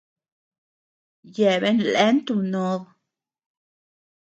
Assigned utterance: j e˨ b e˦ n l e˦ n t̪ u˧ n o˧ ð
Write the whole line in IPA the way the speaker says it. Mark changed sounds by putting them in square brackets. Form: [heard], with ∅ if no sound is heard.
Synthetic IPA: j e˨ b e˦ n l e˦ n t̪ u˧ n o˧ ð

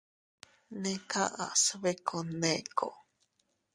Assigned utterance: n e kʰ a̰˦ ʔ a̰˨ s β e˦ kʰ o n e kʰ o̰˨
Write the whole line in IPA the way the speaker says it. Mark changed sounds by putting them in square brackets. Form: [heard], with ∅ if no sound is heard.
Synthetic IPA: n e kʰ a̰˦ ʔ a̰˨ s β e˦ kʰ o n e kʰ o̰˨

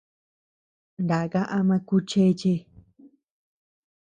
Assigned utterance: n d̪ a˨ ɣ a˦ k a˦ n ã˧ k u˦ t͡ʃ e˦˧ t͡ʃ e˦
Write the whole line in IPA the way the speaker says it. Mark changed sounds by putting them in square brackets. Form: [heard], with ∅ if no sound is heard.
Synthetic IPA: n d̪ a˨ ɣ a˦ [ʔ] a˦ [m] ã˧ k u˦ t͡ʃ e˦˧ t͡ʃ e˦

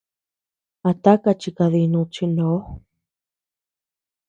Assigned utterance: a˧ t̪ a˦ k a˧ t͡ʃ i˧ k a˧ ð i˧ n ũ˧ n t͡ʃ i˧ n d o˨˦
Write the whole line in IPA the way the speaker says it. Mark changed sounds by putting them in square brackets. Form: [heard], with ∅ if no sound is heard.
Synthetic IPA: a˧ t̪ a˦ k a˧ t͡ʃ i˧ k a˧ ð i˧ n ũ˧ [∅] t͡ʃ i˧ n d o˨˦

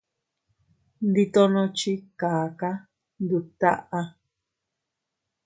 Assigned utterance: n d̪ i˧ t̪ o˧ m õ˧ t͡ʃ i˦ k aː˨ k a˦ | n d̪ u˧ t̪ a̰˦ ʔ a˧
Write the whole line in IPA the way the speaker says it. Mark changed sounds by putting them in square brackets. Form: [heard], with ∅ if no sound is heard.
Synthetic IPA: n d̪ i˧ t̪ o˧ [n] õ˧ t͡ʃ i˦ k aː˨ k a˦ | n d̪ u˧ t̪ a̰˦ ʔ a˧

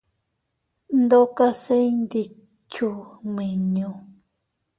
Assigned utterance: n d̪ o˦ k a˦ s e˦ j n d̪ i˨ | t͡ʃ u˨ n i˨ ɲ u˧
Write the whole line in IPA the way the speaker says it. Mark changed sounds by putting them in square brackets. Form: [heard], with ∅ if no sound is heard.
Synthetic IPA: n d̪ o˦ k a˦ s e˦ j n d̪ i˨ | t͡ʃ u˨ [m] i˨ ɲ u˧

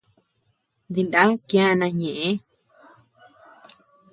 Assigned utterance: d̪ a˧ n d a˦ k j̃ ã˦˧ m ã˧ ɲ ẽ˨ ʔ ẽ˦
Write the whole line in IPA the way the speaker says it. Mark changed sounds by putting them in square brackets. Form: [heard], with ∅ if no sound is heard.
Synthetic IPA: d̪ [i˧] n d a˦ k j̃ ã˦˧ [n] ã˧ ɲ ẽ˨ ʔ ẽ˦

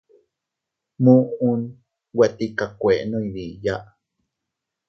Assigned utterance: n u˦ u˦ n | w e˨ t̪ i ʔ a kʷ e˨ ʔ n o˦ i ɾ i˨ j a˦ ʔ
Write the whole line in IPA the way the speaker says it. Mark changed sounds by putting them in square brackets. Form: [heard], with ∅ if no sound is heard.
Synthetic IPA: [m] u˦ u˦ n | w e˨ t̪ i [k] a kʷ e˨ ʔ n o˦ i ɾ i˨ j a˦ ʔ

